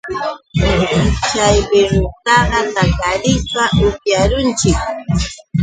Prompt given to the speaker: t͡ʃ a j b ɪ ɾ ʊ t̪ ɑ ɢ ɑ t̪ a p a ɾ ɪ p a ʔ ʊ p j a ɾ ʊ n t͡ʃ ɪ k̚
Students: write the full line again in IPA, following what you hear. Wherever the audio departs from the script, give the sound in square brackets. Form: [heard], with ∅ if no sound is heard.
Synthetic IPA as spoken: t͡ʃ a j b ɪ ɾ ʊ t̪ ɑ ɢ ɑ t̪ a [k] a ɾ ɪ p a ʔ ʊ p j a ɾ ʊ n t͡ʃ ɪ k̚